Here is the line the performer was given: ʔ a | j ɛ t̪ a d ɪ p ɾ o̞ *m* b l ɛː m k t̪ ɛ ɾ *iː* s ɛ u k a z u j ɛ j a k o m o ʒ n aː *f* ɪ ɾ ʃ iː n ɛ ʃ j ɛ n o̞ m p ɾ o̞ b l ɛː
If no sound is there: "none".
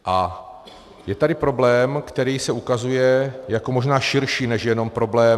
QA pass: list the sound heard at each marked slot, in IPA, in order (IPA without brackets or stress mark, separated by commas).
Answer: none, iː, ʃ